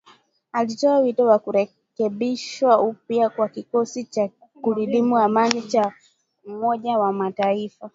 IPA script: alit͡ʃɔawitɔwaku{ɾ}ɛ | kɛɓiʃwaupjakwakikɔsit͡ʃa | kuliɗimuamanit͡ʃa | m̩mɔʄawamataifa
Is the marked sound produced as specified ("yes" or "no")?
yes